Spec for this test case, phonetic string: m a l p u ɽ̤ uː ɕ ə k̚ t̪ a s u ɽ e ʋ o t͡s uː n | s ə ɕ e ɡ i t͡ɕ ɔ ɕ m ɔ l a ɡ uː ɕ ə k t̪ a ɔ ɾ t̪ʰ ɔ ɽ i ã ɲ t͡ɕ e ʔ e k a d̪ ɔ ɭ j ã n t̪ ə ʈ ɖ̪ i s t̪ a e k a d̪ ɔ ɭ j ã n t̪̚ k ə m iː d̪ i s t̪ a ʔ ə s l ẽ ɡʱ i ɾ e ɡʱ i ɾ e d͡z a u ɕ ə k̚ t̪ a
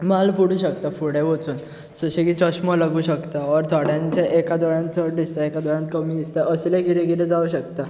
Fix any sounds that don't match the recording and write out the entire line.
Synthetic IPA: m a l p u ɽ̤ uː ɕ ə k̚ t̪ a f u ɽ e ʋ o t͡s uː n | s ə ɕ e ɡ i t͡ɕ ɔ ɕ m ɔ l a ɡ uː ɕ ə k t̪ a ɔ ɾ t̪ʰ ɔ ɽ j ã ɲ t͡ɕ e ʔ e k a d̪ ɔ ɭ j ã n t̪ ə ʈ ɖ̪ i s t̪ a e k a d̪ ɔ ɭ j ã n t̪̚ k ə m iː d̪ i s t̪ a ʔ ə s l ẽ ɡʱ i ɾ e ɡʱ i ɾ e d͡z a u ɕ ə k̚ t̪ a

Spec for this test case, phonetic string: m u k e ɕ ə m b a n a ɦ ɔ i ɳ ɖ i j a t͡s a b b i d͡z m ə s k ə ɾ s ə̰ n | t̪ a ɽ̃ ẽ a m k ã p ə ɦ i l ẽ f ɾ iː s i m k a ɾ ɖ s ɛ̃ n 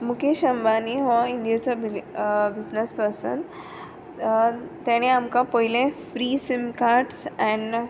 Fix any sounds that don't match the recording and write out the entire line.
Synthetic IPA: m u k e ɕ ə m b a n i ɦ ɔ i ɳ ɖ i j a t͡s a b b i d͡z n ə s p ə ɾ s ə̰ n | t̪ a ɽ̃ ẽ a m k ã p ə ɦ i l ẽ f ɾ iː s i m k a ɾ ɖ s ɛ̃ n

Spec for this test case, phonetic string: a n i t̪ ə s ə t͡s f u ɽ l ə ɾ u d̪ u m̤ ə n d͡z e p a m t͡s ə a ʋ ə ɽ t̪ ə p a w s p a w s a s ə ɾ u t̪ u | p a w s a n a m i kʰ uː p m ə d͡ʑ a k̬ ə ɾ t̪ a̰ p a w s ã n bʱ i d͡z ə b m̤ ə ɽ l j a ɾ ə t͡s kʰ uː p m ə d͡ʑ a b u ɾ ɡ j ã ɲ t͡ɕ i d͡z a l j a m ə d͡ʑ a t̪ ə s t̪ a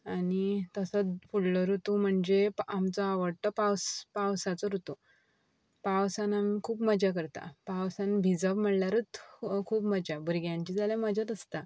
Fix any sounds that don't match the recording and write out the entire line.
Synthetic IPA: a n i t̪ ə s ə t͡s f u ɽ l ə ɾ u t̪ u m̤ ə ɳ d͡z e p a m t͡s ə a ʋ ə ɽ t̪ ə p a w s p a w s a t͡s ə ɾ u t̪ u | p a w s a n a m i kʰ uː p m ə d͡ʑ a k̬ ə ɾ t̪ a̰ p a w s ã n bʱ i d͡z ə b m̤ ə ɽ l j a ɾ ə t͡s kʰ uː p m ə d͡ʑ a b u ɾ ɡ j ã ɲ t͡ɕ i d͡z a l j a m ə d͡ʑ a t̪ ə s t̪ a

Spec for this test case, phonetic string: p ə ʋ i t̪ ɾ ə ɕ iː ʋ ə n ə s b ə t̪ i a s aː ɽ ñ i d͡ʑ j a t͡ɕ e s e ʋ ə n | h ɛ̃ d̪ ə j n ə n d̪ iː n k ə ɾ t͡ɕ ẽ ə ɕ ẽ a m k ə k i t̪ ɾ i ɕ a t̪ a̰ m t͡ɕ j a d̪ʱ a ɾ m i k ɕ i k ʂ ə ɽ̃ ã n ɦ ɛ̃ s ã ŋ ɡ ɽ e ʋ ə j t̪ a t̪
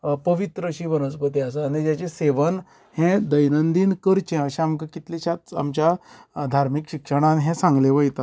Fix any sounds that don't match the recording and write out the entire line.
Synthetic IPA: p ə ʋ i t̪ ɾ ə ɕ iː ʋ ə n ə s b ə t̪ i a s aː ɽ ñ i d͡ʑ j a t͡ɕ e s e ʋ ə n | h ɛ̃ d̪ ə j n ə n d̪ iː n k ə ɾ t͡ɕ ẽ ə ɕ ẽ a m k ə k i t̪ l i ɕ a t̪ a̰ m t͡ɕ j a d̪ʱ a ɾ m i k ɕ i k ʂ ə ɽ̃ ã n ɦ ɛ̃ s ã ŋ ɡ l e ʋ ə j t̪ a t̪

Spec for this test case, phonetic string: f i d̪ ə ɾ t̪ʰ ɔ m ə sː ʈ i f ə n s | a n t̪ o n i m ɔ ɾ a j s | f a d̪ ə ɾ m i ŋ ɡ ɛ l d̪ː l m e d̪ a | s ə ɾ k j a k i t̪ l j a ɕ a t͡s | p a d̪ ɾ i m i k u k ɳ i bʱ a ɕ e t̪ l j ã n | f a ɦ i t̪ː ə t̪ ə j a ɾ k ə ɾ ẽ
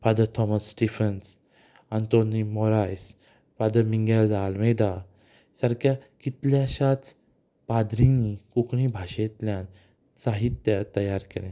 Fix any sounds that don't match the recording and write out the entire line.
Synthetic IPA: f a d̪ ə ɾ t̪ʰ ɔ m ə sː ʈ i f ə n s | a n t̪ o n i m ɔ ɾ a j s | f a d̪ ə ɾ m i ŋ ɡ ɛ l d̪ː l m e d̪ a | s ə ɾ k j a k i t̪ l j a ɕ a t͡s | p a d̪ ɾ i n i k u k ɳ i bʱ a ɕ e t̪ l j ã n | s a ɦ i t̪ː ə t̪ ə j a ɾ k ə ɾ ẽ

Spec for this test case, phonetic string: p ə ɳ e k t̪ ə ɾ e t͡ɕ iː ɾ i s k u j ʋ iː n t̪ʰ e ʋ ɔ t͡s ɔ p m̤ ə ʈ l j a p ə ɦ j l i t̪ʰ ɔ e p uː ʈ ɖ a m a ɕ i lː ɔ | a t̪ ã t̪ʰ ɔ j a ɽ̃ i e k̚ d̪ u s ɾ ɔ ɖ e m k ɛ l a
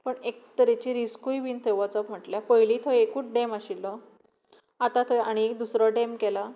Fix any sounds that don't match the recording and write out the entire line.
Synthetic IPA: p ə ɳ e k t̪ ə ɾ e t͡ɕ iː ɾ i s k u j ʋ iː n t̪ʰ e ʋ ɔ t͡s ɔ p m̤ ə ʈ l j a p ə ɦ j l i t̪ʰ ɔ e k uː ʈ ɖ e m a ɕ i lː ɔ | a t̪ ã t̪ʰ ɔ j a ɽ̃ i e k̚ d̪ u s ɾ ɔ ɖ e m k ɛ l a

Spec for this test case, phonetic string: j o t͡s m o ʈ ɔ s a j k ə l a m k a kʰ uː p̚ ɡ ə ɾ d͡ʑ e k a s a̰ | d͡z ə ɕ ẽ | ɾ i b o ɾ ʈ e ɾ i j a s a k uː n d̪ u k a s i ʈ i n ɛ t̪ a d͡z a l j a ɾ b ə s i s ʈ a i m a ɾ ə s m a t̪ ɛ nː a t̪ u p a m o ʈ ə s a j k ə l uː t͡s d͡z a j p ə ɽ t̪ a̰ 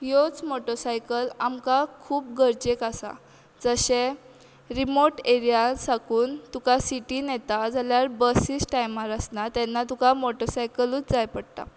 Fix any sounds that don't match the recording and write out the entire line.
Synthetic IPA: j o t͡s m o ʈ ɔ s a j k ə l a m k a kʰ uː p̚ ɡ ə ɾ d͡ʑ e k a s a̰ | d͡z ə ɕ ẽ | ɾ i m o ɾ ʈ e ɾ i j a s a k uː n t̪ u k a s i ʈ i n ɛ t̪ a d͡z a l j a ɾ b ə s i s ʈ a j m a ɾ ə s n a t̪ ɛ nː a t̪ u k a m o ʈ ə s a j k ə l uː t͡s d͡z a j p ə ɽ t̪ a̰

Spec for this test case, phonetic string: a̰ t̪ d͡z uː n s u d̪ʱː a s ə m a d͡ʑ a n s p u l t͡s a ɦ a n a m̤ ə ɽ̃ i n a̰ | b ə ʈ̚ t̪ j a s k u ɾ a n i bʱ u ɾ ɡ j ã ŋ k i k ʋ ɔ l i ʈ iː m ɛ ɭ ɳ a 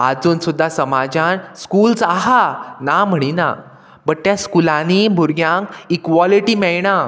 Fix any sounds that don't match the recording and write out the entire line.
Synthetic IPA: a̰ d͡z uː n s u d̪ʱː a s ə m a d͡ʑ a n s k u l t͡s a ɦ a n a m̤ ə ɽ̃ i n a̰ | b ə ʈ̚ t̪ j a s k u l a n i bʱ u ɾ ɡ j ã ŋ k i k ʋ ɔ l i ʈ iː m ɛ ɭ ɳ a

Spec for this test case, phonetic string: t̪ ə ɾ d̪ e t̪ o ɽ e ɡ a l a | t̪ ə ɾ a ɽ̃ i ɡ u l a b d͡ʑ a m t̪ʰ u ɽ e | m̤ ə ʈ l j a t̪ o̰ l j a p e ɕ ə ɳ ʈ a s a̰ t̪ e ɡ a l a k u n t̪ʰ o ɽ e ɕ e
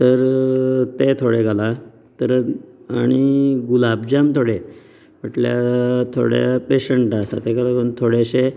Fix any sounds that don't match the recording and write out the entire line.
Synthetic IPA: t̪ ə ɾ t̪ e t̪ʰ o ɽ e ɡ a l a | t̪ ə ɾ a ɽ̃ i ɡ u l a b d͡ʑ a m t̪ʰ o ɽ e | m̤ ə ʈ l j a t̪ʰ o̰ ɽ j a p e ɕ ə ɳ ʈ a s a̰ t̪ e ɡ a l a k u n t̪ʰ o ɽ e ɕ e

